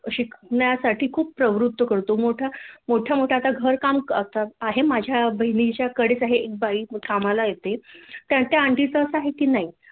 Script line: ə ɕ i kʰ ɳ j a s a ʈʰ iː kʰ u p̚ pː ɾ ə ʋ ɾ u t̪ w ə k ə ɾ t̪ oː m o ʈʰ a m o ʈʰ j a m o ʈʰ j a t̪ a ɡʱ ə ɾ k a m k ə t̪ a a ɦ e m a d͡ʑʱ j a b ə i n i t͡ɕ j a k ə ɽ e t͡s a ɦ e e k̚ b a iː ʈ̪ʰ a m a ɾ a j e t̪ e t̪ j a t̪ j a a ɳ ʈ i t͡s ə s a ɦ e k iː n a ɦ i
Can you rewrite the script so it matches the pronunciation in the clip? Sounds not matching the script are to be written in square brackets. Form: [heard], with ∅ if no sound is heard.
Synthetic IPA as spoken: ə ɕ i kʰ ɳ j a s a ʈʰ iː kʰ [uː] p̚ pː ɾ ə ʋ ɾ u t̪ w ə k ə ɾ t̪ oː m o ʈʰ a m o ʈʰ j a m o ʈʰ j a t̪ a ɡʱ ə ɾ k a m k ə t̪ a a ɦ e m a d͡ʑʱ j a b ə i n i t͡ɕ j a k ə ɽ e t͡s a ɦ e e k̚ b a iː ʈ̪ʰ a m a [l] a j e t̪ e t̪ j a t̪ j a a ɳ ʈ i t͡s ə s a ɦ e k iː n a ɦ i